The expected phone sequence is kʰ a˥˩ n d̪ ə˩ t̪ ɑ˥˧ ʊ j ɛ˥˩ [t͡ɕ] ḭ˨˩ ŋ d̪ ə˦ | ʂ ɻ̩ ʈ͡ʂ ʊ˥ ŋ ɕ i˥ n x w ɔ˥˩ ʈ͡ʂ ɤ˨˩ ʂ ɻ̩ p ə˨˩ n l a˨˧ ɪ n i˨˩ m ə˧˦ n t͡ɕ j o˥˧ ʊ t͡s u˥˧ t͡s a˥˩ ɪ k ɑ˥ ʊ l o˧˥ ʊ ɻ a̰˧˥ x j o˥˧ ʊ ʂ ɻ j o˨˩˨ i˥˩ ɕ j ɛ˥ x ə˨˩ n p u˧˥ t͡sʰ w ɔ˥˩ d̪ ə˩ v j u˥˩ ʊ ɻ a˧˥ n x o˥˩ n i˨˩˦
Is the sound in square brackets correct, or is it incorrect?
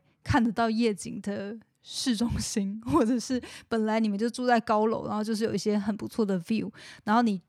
correct